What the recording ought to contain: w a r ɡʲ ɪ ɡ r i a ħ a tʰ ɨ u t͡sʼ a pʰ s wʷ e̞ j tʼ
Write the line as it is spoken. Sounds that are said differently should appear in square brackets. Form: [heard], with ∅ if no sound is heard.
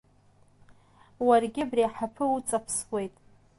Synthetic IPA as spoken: w a r ɡʲ ɪ [b] r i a ħ a [pʰ] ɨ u t͡sʼ a pʰ s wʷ e̞ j tʼ